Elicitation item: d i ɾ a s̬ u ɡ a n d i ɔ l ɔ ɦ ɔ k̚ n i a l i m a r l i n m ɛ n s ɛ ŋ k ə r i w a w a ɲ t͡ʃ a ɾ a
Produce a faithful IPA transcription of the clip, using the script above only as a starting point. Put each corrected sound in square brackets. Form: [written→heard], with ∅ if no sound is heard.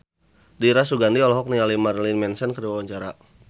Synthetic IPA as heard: d i ɾ a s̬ u ɡ a n d i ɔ l ɔ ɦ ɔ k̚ n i a l i m a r l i n m ɛ n s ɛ [ŋ→n] k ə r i w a w a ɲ t͡ʃ a ɾ a

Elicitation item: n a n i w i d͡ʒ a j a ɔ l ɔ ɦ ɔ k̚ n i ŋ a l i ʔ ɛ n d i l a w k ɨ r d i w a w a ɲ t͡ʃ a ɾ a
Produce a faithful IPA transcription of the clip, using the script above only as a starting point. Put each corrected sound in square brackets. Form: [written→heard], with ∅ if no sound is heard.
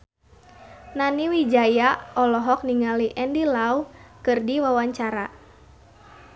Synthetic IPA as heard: n a n i w i d͡ʒ a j a ɔ l ɔ ɦ ɔ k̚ n i ŋ a l i ʔ ɛ n d i l a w k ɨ r d i w a w a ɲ t͡ʃ a ɾ a

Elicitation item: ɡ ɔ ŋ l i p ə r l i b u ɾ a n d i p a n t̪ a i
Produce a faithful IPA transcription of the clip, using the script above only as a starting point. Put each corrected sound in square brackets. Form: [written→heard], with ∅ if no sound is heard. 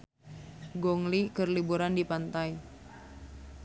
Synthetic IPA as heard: ɡ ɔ ŋ l i [p→k] ə r l i b u ɾ a n d i p a n t̪ a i

